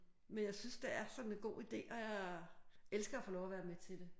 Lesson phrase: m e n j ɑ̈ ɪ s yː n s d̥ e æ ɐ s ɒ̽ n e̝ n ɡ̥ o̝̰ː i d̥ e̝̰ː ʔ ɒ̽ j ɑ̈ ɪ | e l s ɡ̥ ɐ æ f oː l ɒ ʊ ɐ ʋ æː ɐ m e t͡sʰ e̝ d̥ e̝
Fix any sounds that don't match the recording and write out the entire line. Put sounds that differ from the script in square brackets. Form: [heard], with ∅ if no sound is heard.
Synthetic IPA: m e n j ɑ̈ ɪ s [y] n s d̥ e æ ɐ s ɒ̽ n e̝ n ɡ̥ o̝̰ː i d̥ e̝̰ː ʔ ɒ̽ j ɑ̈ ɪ | e l s ɡ̥ ɐ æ f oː l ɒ ʊ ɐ ʋ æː ɐ m e t͡sʰ e̝ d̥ e̝